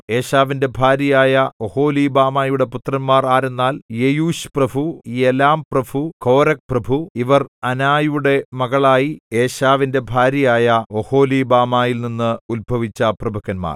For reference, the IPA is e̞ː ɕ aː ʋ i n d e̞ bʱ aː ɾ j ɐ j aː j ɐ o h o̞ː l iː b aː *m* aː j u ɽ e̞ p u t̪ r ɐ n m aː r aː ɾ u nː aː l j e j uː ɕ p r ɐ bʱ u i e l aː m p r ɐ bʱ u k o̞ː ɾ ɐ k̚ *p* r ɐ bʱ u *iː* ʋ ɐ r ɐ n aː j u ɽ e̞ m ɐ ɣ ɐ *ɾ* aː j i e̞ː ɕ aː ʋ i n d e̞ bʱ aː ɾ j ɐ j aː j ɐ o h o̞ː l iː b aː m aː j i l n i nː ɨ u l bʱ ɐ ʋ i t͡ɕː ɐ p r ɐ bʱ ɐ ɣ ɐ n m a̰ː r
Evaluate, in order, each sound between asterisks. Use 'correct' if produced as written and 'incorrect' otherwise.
correct, correct, incorrect: i, incorrect: ɭ

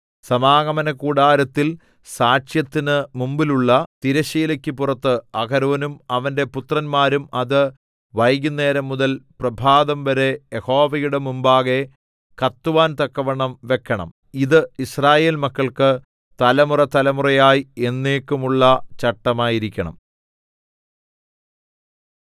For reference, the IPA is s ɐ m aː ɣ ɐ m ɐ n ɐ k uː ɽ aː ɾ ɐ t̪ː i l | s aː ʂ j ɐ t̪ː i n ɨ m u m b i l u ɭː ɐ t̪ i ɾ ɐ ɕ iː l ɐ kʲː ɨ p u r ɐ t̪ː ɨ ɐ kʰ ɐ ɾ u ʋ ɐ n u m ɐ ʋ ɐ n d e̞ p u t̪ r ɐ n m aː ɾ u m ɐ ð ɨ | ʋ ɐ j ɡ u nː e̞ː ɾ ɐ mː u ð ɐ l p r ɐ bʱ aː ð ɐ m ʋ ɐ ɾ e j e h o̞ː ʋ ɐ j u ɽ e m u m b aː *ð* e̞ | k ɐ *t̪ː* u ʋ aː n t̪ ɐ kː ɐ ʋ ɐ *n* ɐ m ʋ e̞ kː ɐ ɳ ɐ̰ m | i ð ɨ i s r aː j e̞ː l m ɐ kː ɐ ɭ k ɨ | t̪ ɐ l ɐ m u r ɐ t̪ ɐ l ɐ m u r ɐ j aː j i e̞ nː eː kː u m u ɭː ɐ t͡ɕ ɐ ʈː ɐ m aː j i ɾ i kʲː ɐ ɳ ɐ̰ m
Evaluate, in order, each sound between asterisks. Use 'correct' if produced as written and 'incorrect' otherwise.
incorrect: ɣ, correct, incorrect: ɳ

